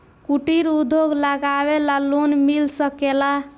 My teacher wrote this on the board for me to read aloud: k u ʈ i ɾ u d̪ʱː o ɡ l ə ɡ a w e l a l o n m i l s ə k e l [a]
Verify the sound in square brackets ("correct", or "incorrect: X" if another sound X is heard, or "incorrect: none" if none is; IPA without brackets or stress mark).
correct